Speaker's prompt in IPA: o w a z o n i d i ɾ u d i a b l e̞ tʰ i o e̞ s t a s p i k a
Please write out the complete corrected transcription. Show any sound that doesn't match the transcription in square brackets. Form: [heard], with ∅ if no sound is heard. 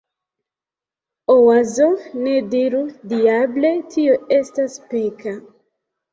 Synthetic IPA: o w a z o n [e] d i ɾ u d i a b l e̞ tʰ i o e̞ s t a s p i k a